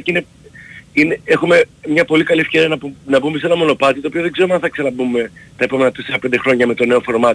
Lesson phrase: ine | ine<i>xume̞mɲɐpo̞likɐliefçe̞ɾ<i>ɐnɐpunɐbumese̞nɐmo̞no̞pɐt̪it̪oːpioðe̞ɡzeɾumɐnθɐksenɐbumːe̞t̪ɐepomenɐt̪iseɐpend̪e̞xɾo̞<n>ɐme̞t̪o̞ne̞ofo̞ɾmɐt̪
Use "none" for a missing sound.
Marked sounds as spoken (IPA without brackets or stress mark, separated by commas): e, i, ɲ